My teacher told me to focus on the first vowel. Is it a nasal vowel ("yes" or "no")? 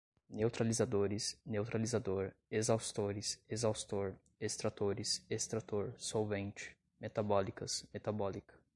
no